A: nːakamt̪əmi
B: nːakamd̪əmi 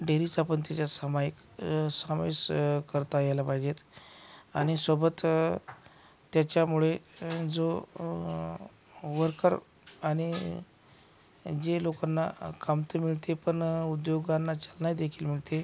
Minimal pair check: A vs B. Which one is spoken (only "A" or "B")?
A